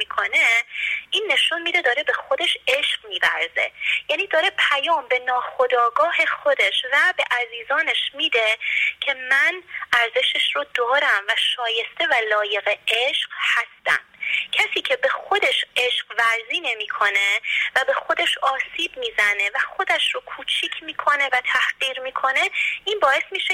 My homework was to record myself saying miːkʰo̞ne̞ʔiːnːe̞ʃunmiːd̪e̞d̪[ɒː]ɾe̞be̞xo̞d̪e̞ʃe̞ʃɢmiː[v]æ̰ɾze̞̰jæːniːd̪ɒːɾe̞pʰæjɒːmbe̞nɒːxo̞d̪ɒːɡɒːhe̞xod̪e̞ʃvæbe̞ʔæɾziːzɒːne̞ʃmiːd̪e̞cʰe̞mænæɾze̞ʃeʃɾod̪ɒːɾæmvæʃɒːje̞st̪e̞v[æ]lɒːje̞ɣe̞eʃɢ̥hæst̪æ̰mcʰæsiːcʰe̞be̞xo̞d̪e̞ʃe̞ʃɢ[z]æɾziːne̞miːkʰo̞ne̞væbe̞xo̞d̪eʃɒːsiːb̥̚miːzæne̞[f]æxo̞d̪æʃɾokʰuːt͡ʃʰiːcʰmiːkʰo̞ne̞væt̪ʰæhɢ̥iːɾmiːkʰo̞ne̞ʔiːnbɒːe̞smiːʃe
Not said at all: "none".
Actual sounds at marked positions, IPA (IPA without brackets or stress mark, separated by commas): ɒː, v, æ, v, v